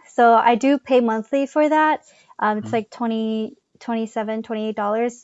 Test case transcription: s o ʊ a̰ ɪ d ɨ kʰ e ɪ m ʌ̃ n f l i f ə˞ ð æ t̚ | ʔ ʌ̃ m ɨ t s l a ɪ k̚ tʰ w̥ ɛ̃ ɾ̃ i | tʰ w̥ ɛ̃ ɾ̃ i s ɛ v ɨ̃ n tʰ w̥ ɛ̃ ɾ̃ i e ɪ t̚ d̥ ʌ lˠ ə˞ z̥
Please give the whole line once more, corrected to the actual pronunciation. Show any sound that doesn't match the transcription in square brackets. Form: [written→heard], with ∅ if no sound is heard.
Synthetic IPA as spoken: s o ʊ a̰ ɪ d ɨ [kʰ→pʰ] e ɪ m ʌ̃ n [f→θ] l i f ə˞ ð æ t̚ | ʔ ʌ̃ m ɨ t s l a ɪ k̚ tʰ w̥ ɛ̃ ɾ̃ i | tʰ w̥ ɛ̃ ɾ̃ i s ɛ v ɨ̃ n tʰ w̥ ɛ̃ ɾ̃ i e ɪ t̚ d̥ [ʌ→ɔ] lˠ ə˞ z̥

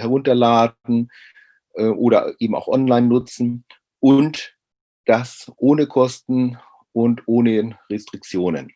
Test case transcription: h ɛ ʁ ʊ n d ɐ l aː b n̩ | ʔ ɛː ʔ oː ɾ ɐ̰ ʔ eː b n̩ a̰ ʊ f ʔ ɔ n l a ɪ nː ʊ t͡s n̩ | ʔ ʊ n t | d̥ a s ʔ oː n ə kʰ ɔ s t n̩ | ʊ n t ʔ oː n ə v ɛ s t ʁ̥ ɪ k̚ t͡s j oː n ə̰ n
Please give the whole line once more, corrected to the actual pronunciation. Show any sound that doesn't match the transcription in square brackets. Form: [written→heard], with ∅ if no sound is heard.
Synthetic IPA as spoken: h ɛ ʁ ʊ n [d→t] ɐ l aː [b→d] n̩ | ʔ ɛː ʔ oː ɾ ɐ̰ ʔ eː b [n̩→m̩] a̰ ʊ [f→x] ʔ ɔ n l a ɪ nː ʊ t͡s n̩ | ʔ ʊ n t | d̥ a s ʔ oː n ə kʰ ɔ s t n̩ | ʊ n t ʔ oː n ə [v→ʁ] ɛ s t ʁ̥ ɪ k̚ t͡s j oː n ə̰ n

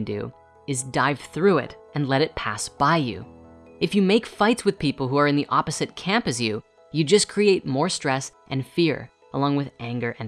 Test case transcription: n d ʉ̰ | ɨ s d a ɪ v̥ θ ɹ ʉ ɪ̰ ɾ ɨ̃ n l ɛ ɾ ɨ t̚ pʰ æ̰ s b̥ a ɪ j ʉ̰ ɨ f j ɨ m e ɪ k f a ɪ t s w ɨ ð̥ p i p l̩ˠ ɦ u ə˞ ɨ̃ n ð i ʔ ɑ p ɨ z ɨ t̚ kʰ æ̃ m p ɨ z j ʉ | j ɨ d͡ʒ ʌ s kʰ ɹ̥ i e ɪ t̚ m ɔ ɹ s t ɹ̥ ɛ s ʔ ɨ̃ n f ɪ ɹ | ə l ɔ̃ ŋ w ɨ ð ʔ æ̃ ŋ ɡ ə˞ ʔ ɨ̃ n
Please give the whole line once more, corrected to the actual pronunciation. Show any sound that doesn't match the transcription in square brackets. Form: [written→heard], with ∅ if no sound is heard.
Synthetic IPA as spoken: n d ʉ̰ | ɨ [s→z] d a ɪ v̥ θ ɹ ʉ ɪ̰ ɾ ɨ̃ n l ɛ ɾ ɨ t̚ pʰ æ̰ s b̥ a ɪ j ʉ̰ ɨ f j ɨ m e ɪ k f a ɪ t s w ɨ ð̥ p i p l̩ˠ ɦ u ə˞ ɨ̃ n ð i ʔ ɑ p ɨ z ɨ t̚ kʰ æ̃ m p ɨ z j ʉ | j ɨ d͡ʒ ʌ s kʰ ɹ̥ i e ɪ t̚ m ɔ ɹ s t ɹ̥ ɛ s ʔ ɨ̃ n f ɪ ɹ | ə l ɔ̃ ŋ w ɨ ð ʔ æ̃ ŋ ɡ ə˞ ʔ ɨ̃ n

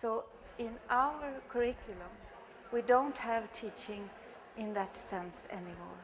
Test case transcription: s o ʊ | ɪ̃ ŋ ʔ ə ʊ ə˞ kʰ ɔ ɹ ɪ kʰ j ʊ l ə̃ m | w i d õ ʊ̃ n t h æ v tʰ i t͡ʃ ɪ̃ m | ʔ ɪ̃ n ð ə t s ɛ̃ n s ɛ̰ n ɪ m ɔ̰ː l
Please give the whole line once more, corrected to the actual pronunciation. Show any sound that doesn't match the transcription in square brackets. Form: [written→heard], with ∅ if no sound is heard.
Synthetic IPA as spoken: s o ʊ | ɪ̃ [ŋ→n] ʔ [ə→a] ʊ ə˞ kʰ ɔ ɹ ɪ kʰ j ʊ l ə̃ m | w i d õ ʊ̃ n t h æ v tʰ i t͡ʃ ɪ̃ [m→ŋ] | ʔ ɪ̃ n ð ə t s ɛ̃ n s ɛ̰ n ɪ m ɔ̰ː [l→ɹ]

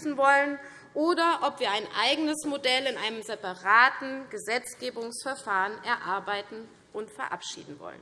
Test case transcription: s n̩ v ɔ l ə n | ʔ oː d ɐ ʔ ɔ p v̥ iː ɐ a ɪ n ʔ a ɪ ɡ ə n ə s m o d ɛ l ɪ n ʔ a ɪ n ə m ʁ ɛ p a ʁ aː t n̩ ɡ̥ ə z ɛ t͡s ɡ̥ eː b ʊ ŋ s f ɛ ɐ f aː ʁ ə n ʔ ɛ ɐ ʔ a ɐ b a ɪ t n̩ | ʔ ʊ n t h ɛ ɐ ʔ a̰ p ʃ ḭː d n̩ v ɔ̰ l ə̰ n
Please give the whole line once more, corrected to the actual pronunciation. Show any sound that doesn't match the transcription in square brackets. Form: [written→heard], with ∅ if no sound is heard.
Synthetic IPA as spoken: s n̩ v ɔ l ə n | ʔ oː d ɐ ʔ ɔ p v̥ iː ɐ a ɪ n ʔ a ɪ ɡ ə n ə s m o d ɛ l ɪ n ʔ a ɪ n ə m [ʁ→z] ɛ p a ʁ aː t n̩ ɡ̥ ə z ɛ t͡s ɡ̥ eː b ʊ ŋ s f ɛ ɐ f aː ʁ ə n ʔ ɛ ɐ ʔ a ɐ b a ɪ t n̩ | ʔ ʊ n t [h→f] ɛ ɐ ʔ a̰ p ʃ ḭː d n̩ v ɔ̰ l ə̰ n

